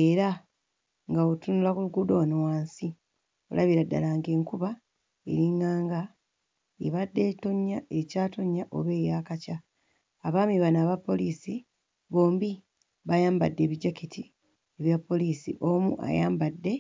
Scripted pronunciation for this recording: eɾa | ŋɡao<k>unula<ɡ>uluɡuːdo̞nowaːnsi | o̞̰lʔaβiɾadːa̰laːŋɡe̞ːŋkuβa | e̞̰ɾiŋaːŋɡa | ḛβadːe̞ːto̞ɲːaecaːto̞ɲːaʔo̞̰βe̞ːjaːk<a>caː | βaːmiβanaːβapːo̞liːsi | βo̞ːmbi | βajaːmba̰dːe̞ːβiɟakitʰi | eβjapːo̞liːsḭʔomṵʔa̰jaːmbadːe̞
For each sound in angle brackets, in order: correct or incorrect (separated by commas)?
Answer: incorrect, incorrect, correct